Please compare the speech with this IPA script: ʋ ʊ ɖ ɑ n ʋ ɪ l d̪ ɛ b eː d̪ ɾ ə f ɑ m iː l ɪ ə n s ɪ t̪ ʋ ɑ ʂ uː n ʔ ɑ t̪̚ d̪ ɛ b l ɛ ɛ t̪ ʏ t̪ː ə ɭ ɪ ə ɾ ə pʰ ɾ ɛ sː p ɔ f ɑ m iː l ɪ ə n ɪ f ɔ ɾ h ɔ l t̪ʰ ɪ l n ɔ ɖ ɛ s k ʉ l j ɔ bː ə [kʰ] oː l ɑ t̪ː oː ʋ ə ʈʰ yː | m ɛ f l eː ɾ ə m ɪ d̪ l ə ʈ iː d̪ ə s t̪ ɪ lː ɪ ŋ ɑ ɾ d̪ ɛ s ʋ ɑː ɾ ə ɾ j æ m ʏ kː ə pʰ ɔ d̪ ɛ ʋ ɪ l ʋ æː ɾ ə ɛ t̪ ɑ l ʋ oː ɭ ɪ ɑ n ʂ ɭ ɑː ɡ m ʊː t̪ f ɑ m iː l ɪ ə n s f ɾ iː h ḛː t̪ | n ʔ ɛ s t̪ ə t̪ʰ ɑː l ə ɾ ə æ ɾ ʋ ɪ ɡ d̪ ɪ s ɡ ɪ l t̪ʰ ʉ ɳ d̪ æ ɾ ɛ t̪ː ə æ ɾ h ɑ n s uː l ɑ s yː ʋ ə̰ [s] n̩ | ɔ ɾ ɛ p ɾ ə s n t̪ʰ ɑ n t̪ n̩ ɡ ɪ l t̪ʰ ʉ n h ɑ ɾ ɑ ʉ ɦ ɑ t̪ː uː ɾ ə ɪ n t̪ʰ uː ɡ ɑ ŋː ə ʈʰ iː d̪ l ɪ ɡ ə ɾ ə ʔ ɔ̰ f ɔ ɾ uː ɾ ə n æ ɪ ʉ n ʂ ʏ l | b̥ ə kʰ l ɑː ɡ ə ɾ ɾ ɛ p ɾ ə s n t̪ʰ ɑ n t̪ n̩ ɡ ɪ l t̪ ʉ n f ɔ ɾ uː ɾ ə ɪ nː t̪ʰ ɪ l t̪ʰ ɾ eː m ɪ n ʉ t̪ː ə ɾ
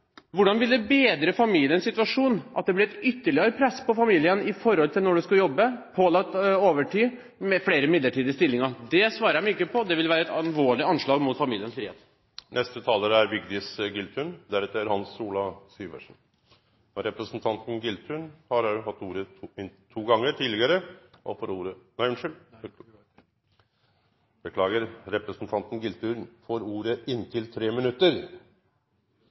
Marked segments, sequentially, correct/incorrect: incorrect: pʰ, incorrect: ʂ

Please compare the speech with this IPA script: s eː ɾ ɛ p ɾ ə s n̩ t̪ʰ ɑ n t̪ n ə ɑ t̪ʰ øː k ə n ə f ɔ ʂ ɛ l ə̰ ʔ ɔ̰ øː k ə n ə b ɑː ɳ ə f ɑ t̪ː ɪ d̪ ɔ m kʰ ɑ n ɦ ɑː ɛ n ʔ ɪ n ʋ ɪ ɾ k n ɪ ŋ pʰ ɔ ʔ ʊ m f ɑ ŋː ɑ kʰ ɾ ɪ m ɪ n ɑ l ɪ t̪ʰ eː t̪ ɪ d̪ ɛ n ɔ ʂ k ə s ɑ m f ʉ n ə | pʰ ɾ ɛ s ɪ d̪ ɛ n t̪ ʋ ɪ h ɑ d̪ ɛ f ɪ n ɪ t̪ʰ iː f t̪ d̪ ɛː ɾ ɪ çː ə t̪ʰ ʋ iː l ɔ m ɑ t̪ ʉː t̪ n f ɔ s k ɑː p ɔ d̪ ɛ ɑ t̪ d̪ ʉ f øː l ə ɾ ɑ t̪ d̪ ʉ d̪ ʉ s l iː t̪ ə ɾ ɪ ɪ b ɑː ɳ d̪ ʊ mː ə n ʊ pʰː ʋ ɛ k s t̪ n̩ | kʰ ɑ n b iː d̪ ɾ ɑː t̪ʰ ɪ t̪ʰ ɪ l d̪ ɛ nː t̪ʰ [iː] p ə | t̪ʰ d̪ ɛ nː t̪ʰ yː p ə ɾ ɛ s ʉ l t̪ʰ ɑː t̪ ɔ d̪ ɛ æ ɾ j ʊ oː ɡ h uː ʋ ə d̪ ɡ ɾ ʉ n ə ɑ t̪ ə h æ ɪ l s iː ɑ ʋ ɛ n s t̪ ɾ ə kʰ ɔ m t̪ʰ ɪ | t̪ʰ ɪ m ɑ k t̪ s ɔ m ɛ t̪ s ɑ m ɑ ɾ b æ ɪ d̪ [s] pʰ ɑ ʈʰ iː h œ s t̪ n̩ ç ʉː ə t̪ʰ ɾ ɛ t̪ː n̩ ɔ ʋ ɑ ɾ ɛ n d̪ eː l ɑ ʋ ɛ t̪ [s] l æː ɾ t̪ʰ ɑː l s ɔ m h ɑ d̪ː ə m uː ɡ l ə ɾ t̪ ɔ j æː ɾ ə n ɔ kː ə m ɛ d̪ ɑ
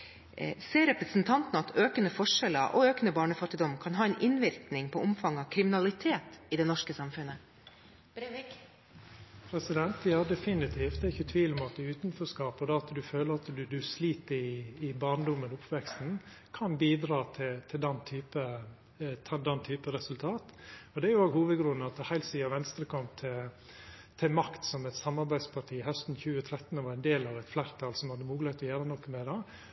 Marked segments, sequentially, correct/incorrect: incorrect: yː, correct, incorrect: f

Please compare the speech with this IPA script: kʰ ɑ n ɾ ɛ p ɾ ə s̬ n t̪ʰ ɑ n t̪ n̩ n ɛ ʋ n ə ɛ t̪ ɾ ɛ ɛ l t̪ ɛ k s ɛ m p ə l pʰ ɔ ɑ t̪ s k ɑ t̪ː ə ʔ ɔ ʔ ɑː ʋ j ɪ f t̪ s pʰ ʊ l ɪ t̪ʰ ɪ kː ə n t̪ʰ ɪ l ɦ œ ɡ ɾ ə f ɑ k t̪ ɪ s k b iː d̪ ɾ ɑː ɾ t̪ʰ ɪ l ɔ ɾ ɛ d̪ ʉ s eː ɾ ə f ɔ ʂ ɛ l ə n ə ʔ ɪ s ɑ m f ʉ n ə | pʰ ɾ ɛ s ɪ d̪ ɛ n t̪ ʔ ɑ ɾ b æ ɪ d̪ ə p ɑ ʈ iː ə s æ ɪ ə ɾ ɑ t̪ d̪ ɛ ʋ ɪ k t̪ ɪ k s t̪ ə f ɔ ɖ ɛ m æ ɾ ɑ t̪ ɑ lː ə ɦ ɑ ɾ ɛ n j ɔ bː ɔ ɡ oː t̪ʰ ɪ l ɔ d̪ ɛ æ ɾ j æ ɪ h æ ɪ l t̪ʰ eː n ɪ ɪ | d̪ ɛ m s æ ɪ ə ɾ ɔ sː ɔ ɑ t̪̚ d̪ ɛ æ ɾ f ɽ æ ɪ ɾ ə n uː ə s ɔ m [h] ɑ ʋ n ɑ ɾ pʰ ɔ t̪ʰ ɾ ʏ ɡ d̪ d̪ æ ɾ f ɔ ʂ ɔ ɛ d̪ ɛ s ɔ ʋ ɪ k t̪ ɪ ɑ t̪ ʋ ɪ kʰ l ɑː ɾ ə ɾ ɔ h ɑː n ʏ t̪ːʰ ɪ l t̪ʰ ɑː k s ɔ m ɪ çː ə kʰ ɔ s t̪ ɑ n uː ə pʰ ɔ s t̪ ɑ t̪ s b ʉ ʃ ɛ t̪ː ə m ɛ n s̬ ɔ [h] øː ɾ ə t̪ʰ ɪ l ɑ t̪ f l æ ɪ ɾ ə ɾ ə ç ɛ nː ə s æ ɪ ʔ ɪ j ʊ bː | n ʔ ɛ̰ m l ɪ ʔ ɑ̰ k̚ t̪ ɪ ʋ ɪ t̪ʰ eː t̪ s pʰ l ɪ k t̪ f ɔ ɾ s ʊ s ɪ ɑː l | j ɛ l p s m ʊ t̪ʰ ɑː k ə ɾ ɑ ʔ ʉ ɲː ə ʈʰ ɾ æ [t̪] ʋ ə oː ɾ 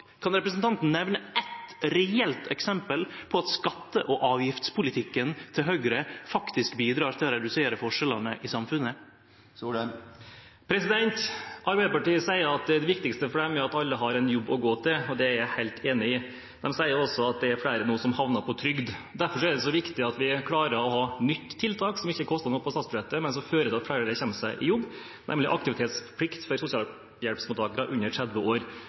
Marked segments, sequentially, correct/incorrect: correct, incorrect: f, incorrect: d̪

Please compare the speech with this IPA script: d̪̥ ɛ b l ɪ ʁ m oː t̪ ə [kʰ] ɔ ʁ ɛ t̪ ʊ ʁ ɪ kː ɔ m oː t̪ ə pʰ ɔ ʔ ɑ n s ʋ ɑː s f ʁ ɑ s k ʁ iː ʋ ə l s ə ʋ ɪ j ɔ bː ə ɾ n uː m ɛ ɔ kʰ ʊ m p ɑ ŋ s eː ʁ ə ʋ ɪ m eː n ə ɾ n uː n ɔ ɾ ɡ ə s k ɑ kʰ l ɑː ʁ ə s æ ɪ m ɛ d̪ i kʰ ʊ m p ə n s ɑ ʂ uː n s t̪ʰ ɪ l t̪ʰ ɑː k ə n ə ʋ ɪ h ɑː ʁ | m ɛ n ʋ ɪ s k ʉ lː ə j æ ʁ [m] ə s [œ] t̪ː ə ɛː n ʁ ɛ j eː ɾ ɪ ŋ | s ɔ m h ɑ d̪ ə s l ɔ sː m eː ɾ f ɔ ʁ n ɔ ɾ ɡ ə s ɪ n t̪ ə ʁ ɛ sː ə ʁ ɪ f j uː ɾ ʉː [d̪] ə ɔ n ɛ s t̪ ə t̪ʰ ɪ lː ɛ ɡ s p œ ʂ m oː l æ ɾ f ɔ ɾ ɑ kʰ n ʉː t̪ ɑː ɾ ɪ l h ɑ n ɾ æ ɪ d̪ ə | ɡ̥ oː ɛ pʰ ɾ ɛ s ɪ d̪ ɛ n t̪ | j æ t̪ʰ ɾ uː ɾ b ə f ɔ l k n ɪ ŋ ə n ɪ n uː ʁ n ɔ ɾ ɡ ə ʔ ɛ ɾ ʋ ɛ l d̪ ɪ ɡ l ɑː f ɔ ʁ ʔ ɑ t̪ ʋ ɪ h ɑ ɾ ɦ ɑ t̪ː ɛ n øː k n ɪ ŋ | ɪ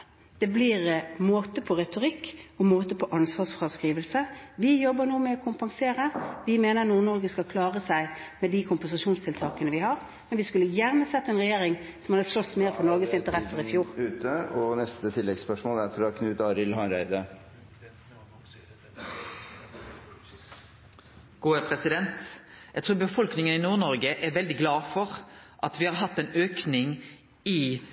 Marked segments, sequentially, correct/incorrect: incorrect: pʰ, incorrect: n, incorrect: ɛ, incorrect: t̪

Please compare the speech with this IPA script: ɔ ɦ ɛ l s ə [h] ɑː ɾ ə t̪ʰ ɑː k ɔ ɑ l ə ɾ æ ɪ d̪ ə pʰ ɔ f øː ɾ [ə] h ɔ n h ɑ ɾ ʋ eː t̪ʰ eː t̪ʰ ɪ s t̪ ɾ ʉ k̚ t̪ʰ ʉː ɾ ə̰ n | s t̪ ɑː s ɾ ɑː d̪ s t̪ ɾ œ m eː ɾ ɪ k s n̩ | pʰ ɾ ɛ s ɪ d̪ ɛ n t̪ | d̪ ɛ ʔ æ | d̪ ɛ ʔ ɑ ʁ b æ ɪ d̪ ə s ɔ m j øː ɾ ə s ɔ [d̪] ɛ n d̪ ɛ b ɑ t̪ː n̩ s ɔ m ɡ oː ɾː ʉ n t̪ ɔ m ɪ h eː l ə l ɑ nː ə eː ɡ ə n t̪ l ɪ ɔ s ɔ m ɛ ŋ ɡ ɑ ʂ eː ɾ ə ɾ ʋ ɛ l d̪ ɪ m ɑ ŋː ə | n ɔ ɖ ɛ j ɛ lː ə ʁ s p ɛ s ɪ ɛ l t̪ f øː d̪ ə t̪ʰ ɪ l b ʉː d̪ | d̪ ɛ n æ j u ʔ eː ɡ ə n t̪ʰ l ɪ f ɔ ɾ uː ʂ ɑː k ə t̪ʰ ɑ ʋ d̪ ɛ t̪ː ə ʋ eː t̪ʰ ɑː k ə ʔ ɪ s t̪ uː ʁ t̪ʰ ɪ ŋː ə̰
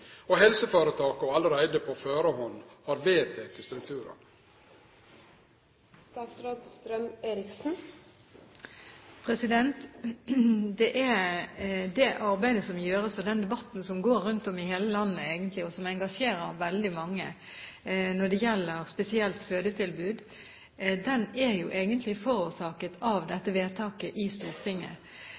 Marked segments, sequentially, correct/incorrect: incorrect: f, correct, correct

